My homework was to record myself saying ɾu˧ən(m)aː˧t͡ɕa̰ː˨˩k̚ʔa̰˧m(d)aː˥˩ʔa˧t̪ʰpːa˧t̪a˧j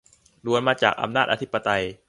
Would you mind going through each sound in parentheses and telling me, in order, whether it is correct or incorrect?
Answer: correct, incorrect

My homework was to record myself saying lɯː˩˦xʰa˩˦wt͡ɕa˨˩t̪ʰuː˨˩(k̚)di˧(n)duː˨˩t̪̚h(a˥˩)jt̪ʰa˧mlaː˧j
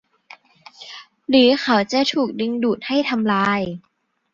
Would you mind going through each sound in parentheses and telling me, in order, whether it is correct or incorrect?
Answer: correct, incorrect, correct

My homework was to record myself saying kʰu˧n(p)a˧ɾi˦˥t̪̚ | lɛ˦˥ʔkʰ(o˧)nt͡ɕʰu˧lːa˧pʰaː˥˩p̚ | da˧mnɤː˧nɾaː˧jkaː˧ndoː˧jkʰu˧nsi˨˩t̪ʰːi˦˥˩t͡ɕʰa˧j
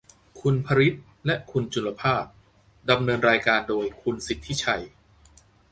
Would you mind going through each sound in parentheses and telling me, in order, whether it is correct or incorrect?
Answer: incorrect, incorrect

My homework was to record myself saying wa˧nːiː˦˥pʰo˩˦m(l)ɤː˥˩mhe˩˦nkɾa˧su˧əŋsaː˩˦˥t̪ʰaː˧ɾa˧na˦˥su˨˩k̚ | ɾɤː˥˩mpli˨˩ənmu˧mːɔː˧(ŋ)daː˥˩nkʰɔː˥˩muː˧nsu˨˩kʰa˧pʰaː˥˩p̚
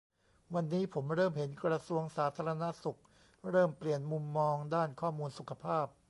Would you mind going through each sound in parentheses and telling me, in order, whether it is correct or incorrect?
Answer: incorrect, correct

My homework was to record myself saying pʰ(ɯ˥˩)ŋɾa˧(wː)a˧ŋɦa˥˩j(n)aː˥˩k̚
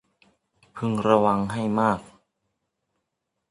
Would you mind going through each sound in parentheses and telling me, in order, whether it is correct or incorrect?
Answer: incorrect, incorrect, incorrect

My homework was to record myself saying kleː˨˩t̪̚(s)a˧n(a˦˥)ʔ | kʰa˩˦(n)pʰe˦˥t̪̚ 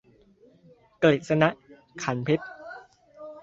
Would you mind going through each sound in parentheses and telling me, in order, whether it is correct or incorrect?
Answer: correct, correct, correct

